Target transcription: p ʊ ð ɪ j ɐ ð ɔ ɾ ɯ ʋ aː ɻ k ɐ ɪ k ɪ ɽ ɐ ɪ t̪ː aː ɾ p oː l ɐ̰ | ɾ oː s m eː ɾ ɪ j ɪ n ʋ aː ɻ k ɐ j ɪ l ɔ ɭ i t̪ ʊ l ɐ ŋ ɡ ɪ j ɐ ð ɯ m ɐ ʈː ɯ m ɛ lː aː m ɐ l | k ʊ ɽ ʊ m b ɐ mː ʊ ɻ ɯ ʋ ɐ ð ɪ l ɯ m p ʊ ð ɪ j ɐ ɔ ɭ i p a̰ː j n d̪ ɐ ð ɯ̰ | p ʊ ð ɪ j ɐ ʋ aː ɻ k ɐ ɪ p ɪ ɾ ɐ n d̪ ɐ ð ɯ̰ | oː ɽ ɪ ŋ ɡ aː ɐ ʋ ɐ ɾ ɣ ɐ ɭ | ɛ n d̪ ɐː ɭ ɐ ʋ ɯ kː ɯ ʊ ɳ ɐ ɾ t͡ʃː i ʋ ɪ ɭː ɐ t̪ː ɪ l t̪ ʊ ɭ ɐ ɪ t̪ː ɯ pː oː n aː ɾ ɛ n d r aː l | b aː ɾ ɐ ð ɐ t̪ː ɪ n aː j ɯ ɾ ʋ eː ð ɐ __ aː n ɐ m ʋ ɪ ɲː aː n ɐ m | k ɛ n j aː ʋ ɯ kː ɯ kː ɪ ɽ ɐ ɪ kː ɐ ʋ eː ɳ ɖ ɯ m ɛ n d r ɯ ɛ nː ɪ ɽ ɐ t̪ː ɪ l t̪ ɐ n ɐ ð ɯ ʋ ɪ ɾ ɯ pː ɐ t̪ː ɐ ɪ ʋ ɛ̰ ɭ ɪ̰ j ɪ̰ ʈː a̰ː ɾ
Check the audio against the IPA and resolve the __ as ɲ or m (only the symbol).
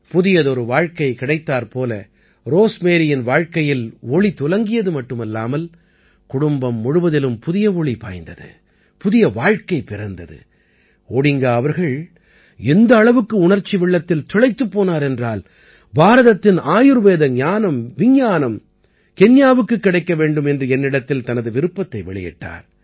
ɲ